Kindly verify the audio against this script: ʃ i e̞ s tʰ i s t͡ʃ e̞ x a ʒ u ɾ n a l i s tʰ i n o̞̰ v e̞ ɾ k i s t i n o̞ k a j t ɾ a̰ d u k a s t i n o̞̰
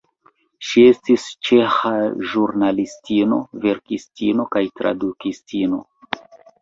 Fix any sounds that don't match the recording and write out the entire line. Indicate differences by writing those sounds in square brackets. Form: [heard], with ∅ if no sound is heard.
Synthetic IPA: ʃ i e̞ s [t] i s t͡ʃ e̞ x a ʒ u ɾ n a l i s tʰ i n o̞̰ v e̞ ɾ k i s t i n o̞ k a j t ɾ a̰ d u k [i] s t i n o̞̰